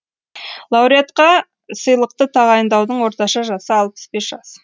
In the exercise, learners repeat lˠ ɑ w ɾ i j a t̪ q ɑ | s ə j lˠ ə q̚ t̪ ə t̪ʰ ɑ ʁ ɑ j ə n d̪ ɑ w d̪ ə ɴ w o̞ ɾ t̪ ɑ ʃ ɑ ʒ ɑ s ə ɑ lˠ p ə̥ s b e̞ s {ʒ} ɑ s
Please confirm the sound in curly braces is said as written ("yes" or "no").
yes